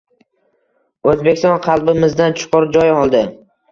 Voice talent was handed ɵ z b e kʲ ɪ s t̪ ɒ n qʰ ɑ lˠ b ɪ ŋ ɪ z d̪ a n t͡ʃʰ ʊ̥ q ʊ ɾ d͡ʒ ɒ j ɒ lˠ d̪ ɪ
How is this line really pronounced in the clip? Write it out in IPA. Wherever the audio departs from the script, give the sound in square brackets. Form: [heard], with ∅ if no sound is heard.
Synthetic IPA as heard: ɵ z b e kʲ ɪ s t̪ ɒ n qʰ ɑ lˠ b ɪ [m] ɪ z d̪ a n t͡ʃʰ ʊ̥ q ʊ ɾ d͡ʒ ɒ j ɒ lˠ d̪ ɪ